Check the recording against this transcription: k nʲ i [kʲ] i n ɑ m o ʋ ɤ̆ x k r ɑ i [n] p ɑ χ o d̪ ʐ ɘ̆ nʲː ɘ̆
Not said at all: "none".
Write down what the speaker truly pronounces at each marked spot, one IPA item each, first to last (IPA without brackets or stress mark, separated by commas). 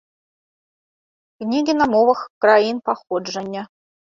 ɡʲ, n